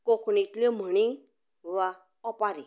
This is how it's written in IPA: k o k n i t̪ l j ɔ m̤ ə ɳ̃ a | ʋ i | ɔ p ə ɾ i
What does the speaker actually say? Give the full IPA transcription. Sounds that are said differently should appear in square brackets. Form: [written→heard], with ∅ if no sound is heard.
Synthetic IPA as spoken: k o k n i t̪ l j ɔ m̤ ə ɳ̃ [a→i] | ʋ [i→a] | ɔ p [ə→a] ɾ i